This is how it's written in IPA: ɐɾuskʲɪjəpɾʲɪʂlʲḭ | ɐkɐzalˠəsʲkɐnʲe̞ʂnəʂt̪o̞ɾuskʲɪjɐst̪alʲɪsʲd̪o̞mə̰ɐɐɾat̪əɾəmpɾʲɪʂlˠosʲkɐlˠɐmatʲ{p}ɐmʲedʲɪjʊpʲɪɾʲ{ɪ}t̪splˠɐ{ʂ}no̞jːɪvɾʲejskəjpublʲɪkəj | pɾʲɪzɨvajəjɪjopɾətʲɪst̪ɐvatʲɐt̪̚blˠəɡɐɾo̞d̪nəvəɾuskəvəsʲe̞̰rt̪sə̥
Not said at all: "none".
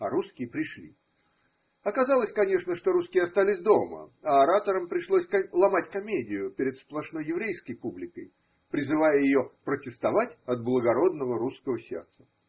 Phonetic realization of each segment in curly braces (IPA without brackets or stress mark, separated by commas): k, ɪ, ʂ